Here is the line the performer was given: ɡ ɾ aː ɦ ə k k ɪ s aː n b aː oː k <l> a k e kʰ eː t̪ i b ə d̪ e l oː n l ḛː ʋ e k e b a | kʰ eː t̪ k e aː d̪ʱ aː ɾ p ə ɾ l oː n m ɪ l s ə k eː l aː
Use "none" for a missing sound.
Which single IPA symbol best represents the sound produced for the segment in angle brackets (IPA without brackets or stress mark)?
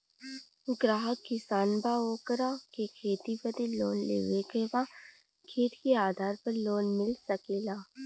ɾ